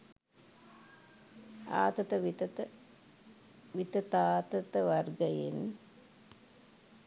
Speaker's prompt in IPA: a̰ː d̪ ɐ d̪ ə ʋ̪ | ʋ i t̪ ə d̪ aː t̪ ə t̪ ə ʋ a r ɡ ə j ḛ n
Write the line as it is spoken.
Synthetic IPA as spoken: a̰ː t̪ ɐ t̪ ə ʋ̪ | ʋ i t̪ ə t̪ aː t̪ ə t̪ ə ʋ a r ɡ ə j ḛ n